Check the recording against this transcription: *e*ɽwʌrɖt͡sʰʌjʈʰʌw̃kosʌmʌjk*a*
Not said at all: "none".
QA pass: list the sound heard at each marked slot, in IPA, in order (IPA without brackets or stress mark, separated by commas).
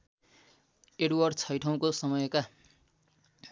e, a